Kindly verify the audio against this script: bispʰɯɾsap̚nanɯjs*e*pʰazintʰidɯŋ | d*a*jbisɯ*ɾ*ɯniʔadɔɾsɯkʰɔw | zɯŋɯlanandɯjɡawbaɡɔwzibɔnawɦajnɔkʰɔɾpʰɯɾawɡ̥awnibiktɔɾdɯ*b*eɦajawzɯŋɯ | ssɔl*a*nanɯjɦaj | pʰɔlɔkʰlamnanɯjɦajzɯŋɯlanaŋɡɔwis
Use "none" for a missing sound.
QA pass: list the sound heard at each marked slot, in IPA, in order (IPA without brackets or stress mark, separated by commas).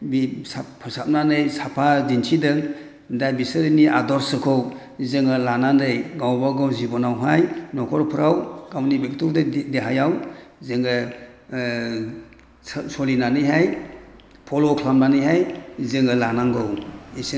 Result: a, a, ɾ, d, i